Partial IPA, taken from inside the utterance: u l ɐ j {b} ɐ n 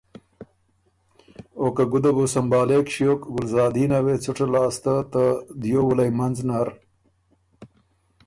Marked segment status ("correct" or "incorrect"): incorrect